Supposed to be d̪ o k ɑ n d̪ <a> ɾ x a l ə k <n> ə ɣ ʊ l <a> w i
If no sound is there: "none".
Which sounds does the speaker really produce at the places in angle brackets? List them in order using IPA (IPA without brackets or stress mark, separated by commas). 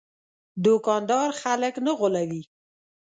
ɑ, n, a